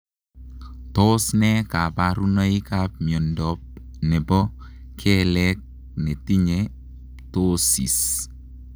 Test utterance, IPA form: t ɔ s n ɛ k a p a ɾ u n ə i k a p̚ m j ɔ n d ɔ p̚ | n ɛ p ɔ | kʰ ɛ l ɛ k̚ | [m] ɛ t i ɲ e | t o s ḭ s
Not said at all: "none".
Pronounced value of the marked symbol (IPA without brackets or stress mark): n